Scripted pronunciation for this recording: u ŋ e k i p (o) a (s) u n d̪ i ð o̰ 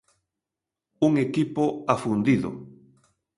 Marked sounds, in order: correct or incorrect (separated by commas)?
correct, incorrect